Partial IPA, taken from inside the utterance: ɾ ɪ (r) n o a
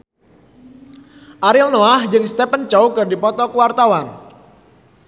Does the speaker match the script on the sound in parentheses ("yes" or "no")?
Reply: no